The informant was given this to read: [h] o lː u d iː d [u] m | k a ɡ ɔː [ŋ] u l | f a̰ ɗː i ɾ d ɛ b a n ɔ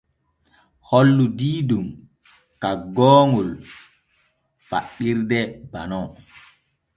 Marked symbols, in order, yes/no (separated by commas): yes, yes, yes